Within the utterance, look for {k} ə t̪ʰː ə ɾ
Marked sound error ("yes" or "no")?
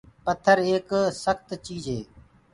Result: yes